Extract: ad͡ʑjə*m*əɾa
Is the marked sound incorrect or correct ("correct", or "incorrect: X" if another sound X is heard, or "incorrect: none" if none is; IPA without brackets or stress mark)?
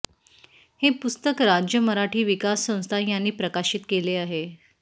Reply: correct